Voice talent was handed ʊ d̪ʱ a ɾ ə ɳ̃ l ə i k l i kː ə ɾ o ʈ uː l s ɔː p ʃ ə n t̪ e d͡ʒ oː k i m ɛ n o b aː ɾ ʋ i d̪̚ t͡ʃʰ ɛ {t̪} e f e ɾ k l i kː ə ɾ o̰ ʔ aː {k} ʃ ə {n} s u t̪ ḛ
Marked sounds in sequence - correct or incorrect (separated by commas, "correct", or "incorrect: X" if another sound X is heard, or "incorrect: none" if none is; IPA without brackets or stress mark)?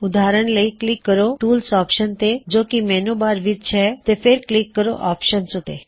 correct, incorrect: p, correct